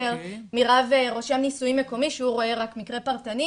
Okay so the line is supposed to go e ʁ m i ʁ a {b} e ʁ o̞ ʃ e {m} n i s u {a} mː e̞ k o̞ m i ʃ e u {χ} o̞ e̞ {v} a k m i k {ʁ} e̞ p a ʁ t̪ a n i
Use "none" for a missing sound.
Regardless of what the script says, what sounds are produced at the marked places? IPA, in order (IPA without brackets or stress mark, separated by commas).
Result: v, m, i, ʁ, ʁ, ʁ